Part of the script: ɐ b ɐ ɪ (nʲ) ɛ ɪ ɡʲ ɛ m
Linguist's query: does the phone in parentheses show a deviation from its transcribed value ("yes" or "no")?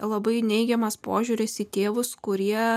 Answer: no